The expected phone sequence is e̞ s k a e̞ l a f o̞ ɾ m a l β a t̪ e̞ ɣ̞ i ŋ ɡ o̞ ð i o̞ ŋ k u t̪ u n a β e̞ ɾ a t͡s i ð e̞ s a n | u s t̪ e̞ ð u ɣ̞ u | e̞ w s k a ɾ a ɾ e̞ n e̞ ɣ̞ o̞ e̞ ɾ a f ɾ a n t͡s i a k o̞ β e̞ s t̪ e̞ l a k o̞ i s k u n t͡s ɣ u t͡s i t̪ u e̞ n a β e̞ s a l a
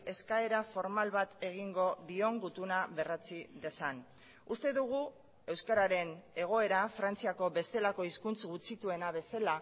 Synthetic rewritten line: e̞ s k a e̞ ɾ a f o̞ ɾ m a l β a t̪ e̞ ɣ̞ i ŋ ɡ o̞ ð i o̞ ŋ ɡ u t̪ u n a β e̞ r a t͡s i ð e̞ s a n | u s t̪ e̞ ð u ɣ̞ u | e̞ w s k a ɾ a ɾ e̞ n e̞ ɣ̞ o̞ e̞ ɾ a f ɾ a n t͡s i a k o̞ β e̞ s t̪ e̞ l a k o̞ i s k u n t͡s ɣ u t͡s i t̪ u e̞ n a β e̞ s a l a